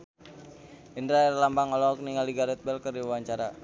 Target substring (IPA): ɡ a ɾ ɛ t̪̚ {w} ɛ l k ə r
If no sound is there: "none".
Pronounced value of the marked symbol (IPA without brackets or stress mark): b